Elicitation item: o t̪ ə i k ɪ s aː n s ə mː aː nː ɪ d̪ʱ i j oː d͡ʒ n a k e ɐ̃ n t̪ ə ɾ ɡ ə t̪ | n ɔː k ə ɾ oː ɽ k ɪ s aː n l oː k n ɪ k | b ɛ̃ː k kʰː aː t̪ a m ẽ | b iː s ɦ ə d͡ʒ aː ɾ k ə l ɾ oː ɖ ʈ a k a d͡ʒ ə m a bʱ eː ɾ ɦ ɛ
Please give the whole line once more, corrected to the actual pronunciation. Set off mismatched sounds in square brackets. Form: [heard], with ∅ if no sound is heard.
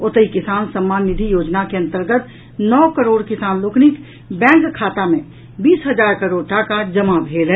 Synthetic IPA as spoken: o t̪ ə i k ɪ s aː n s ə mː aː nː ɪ d̪ʱ i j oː d͡ʒ n a k e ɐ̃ n t̪ ə ɾ ɡ ə t̪ | n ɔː k ə ɾ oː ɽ k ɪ s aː n l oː k n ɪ k | b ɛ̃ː k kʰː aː t̪ a m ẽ | b iː s ɦ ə d͡ʒ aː ɾ k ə [∅] ɾ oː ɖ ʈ a k a d͡ʒ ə m a bʱ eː [l] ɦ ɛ

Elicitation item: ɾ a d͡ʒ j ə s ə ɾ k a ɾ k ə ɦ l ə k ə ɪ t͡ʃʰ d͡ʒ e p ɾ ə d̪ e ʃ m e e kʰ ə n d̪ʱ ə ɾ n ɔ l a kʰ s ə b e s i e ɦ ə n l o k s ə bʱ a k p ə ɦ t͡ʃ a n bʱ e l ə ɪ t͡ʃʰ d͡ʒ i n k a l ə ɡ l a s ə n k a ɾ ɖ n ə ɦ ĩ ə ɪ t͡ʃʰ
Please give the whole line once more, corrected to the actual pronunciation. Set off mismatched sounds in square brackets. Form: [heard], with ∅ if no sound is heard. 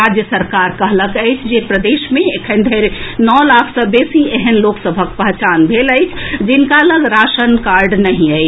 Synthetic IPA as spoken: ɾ a d͡ʒ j ə s ə ɾ k a ɾ k ə ɦ l ə k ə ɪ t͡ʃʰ d͡ʒ e p ɾ ə d̪ e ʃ m e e kʰ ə n d̪ʱ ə ɾ n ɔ l a kʰ s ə b e s i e ɦ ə n l o k s ə bʱ [ə] k p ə ɦ t͡ʃ a n bʱ e l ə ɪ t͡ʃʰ d͡ʒ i n k a l ə ɡ [ɾ] a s ə n k a ɾ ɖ n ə ɦ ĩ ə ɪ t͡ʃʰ

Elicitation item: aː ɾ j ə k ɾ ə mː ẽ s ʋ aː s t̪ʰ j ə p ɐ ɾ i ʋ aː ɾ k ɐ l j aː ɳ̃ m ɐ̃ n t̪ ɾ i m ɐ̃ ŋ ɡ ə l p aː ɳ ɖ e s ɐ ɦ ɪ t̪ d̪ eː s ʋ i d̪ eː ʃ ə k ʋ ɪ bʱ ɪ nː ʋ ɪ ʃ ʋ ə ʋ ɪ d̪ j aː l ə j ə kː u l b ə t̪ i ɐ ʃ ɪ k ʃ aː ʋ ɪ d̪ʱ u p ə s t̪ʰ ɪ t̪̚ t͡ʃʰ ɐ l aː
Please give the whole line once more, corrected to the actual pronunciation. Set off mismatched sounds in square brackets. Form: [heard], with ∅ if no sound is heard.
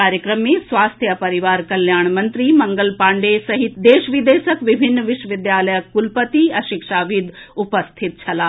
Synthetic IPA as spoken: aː ɾ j ə k ɾ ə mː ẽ s ʋ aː s t̪ʰ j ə p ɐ ɾ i ʋ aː ɾ k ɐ l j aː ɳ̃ m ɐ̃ n t̪ ɾ i m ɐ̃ ŋ ɡ ə l p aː ɳ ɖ e s ɐ ɦ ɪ t̪ d̪ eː [ʃ] ʋ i d̪ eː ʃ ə k ʋ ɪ bʱ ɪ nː ʋ ɪ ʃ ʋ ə ʋ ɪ d̪ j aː l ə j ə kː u l [p] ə t̪ i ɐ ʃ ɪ k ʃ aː ʋ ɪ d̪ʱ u p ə s t̪ʰ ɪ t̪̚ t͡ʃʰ ɐ l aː

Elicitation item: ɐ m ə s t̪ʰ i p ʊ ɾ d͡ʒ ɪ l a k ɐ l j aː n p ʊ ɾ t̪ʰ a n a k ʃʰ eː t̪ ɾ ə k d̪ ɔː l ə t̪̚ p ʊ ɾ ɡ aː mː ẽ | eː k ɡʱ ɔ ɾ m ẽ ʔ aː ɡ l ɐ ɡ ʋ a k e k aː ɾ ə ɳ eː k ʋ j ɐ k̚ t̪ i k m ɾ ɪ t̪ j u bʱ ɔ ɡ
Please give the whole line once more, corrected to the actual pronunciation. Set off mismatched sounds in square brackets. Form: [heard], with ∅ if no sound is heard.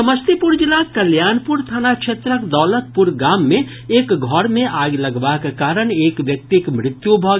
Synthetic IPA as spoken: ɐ m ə s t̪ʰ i p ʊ ɾ d͡ʒ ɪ l a k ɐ l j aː n p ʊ ɾ t̪ʰ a n a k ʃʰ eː t̪ ɾ ə k d̪ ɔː l ə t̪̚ p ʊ ɾ ɡ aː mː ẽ | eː k ɡʱ ɔ ɾ m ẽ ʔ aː ɡ l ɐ ɡ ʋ a k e k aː ɾ ə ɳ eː k ʋ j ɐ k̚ t̪ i k m ɾ ɪ t̪ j u bʱ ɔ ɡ

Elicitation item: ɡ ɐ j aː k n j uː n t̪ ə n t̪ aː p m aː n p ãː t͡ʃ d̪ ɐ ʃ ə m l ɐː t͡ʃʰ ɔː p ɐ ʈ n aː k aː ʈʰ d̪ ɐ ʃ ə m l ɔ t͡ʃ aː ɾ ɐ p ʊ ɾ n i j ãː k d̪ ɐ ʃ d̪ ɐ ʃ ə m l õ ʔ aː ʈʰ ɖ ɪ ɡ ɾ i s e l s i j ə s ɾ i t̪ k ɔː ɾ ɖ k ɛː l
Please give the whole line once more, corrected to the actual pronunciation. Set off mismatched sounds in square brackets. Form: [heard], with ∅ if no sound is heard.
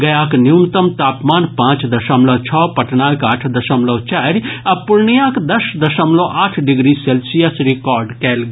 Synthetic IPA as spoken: ɡ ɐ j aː k n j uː n t̪ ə [m] t̪ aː p m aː n p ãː t͡ʃ d̪ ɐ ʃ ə m l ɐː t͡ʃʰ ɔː p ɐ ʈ n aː k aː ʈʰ d̪ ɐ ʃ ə m l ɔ t͡ʃ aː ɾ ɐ p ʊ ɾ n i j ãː k d̪ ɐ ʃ d̪ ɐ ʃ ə m l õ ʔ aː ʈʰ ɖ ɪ ɡ ɾ i s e l s i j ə s ɾ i [∅] k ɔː ɾ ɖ k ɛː l

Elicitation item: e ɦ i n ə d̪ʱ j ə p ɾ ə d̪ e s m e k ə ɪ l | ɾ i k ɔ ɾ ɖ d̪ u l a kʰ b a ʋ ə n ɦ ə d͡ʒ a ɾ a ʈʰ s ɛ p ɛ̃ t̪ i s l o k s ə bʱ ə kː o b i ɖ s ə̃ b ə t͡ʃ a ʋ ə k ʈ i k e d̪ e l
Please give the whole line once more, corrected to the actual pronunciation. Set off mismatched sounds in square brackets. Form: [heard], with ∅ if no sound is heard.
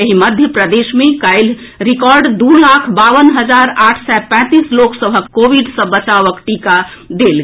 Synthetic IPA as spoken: e ɦ i [m] ə d̪ʱ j ə p ɾ ə d̪ e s m e k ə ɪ l | ɾ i k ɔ ɾ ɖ d̪ u l a kʰ b a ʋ ə n ɦ ə d͡ʒ a ɾ a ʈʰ s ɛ p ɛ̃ t̪ i s l o k s ə bʱ ə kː o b i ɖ s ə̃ b ə t͡ʃ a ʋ ə k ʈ i k [a] d̪ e l

